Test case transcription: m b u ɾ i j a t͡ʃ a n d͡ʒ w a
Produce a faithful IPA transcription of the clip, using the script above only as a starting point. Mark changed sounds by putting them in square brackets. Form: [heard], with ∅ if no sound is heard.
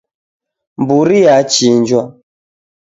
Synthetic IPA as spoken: m b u ɾ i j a t͡ʃ [i] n d͡ʒ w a